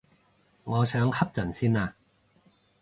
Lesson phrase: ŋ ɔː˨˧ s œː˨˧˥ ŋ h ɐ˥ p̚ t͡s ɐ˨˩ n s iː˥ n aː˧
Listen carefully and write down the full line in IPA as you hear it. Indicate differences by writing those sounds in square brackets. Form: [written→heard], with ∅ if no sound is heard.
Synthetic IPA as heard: ŋ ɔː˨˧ s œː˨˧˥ ŋ h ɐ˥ p̚ t͡s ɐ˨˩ n s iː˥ n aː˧